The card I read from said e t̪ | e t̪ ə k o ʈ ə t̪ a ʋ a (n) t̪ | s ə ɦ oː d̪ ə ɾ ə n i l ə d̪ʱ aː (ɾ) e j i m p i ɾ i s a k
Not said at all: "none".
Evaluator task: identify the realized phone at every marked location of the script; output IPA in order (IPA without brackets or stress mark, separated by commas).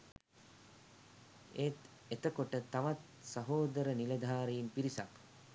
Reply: none, ɾ